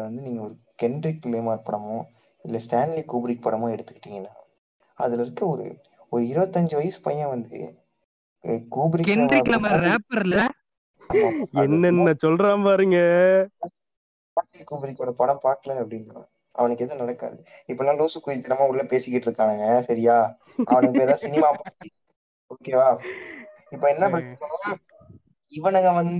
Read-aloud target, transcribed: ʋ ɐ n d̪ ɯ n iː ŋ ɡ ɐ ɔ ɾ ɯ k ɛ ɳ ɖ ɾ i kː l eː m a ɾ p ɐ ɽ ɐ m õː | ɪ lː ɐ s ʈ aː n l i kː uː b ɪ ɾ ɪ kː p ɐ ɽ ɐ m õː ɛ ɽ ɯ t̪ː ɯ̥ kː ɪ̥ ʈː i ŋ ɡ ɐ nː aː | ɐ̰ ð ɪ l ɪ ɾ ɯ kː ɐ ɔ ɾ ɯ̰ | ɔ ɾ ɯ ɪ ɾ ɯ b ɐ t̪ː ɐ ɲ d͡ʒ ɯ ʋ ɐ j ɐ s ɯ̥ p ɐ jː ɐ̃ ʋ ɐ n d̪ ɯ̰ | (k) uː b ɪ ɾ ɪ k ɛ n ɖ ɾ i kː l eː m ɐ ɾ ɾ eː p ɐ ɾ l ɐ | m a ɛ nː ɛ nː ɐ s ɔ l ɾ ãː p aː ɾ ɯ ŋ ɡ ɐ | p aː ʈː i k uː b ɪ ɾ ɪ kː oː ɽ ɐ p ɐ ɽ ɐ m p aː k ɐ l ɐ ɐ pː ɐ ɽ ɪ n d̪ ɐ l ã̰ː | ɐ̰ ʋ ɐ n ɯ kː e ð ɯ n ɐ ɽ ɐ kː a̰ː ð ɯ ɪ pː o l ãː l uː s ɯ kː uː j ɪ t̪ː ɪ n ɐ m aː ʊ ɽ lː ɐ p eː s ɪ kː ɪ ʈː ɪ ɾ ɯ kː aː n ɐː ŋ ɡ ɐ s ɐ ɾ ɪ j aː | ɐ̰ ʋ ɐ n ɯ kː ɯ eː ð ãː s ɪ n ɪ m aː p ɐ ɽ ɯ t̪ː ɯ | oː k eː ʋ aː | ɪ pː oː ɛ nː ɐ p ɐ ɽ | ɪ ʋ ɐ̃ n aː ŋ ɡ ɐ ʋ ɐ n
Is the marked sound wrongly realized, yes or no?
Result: no